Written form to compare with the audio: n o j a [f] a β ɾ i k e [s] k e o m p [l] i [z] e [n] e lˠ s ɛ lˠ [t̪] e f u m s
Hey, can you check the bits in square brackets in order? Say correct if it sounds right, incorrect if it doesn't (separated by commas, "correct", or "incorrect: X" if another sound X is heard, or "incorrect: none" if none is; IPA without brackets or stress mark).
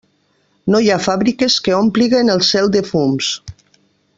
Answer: correct, correct, correct, incorrect: ɣ, correct, incorrect: d̪